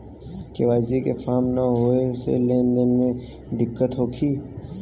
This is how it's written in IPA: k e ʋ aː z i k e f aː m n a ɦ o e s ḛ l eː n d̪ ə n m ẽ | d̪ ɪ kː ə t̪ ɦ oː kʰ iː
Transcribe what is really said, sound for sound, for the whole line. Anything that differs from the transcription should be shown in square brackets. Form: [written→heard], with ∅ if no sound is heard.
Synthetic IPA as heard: k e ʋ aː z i k e f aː m n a ɦ o e s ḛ l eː n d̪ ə n m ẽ | d̪ ɪ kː ə t̪ ɦ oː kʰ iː